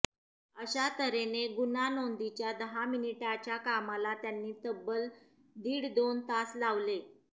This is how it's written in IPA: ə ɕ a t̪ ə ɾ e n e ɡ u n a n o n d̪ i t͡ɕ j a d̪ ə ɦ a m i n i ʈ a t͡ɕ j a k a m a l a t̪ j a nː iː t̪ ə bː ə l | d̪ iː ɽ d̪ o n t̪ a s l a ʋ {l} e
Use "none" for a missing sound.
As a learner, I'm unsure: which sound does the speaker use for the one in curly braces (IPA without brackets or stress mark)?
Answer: l